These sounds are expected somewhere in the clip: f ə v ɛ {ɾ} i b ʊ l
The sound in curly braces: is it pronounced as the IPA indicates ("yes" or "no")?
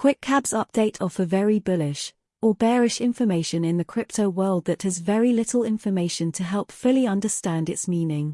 no